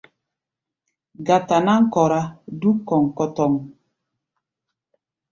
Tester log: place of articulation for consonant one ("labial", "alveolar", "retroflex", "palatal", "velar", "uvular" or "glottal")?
velar